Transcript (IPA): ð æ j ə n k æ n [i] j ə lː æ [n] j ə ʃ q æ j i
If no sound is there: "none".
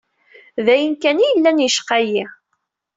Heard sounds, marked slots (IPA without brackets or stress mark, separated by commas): i, n